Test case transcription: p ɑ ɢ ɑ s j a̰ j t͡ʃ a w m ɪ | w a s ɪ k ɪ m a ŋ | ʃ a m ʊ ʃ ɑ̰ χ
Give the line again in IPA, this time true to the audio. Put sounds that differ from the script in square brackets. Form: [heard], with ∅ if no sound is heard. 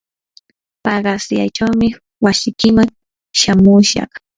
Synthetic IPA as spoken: p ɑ ɢ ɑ s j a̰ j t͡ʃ a w m ɪ | w a s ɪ k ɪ m a ŋ | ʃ a m ʊ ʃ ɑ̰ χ